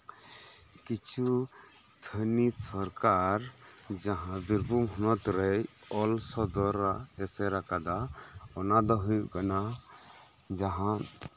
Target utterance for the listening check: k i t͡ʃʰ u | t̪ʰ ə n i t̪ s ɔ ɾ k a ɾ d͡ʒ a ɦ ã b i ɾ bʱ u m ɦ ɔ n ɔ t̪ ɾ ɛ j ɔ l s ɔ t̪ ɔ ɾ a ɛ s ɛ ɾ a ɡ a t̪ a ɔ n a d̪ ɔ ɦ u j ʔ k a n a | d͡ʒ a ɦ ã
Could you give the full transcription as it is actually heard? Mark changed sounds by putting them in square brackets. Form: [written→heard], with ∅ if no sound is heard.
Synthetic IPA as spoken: k i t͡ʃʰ u | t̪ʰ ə n i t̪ s ɔ ɾ k a ɾ d͡ʒ a ɦ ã b i ɾ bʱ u m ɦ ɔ n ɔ t̪ ɾ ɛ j ɔ l s ɔ [t̪→d̪] ɔ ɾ a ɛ s ɛ ɾ a [ɡ→k] a [t̪→d̪] a ɔ n a d̪ ɔ ɦ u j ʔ k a n a | d͡ʒ a ɦ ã